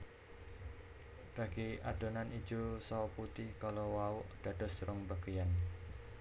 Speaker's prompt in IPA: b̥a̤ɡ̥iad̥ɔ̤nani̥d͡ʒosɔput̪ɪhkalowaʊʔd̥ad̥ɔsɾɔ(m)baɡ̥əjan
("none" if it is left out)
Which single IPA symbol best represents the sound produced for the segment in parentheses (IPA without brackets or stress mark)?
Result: ŋ